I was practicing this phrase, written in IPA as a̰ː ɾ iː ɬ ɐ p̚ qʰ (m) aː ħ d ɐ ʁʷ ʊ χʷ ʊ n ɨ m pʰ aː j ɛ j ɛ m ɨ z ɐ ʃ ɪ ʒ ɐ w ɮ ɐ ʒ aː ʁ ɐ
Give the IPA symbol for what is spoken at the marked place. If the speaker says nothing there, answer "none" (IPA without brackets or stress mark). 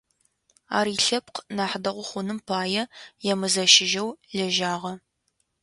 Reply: n